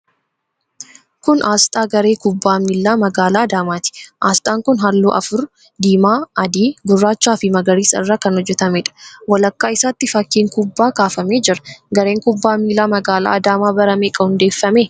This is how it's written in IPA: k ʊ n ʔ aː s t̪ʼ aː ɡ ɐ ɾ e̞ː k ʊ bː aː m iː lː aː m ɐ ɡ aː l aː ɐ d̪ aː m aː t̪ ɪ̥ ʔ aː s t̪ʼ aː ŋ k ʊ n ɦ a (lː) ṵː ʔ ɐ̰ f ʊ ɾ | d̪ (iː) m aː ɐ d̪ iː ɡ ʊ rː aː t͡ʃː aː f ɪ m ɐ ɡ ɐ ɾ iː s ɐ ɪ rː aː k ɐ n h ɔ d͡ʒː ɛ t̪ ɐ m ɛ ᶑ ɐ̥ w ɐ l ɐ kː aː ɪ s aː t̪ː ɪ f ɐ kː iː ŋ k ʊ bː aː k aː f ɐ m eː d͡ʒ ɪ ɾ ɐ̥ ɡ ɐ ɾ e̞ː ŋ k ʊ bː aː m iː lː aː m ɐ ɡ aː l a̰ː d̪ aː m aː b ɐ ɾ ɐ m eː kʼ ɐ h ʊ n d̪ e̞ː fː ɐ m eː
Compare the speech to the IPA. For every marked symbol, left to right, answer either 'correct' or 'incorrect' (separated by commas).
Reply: correct, correct